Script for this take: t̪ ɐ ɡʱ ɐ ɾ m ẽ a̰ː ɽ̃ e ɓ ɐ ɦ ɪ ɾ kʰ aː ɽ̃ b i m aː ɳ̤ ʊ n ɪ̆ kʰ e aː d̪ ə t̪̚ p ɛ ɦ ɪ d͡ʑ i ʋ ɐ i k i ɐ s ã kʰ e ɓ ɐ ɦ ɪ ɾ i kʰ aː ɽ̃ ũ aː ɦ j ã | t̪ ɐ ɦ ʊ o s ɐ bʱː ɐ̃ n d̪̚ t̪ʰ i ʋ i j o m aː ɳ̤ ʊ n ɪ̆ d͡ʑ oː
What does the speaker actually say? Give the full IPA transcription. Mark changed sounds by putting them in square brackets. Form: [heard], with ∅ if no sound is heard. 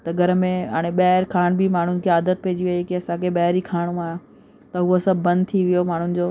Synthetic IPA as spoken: t̪ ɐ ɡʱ ɐ ɾ m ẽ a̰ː ɽ̃ e ɓ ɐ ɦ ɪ ɾ kʰ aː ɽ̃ b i m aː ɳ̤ ʊ n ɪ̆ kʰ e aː d̪ ə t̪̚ p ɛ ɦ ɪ d͡ʑ i ʋ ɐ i k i ɐ s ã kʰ e ɓ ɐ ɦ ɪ ɾ i kʰ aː ɽ̃ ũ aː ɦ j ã | t̪ ɐ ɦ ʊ o s ɐ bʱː ɐ̃ n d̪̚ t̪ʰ i ʋ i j o m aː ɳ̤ ʊ n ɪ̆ d͡ʑ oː